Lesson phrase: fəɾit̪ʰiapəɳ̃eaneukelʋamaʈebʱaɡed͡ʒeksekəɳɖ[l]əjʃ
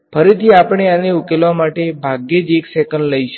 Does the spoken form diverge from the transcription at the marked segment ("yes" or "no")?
no